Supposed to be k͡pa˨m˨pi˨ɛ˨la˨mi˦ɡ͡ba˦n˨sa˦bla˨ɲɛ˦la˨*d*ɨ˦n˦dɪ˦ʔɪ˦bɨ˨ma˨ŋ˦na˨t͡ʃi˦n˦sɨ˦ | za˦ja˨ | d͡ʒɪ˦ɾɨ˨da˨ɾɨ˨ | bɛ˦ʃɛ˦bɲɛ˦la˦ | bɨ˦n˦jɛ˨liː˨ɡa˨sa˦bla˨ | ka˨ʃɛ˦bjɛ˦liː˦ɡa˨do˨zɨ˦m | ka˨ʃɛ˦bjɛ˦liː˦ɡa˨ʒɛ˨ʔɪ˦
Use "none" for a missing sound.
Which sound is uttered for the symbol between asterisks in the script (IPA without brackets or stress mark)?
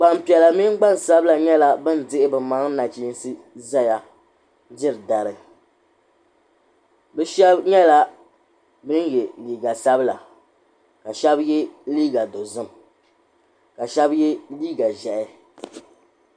b